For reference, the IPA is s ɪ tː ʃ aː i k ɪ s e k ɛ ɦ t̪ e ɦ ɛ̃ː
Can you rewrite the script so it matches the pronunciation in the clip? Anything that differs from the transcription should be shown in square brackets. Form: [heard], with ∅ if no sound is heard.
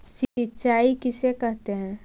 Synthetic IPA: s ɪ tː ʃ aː i k ɪ s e k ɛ ɦ t̪ e ɦ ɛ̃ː